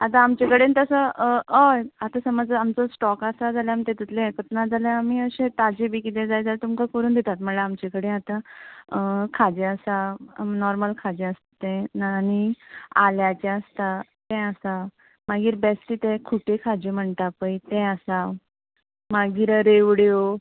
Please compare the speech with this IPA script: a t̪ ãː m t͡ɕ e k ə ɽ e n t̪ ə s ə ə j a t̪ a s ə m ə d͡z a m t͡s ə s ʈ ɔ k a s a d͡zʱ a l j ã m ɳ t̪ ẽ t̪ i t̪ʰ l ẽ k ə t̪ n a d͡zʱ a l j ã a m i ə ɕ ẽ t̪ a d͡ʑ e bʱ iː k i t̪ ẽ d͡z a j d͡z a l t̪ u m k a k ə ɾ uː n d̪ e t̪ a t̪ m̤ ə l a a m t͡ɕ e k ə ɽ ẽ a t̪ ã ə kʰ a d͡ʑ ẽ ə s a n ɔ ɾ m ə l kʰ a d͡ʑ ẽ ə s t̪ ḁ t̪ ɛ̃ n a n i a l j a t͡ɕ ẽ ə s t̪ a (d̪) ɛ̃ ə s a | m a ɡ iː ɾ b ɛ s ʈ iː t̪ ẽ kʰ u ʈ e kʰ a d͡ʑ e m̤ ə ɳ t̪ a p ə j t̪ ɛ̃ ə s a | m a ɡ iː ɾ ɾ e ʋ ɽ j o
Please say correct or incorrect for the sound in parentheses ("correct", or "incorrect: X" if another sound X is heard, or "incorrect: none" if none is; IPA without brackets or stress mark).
incorrect: t̪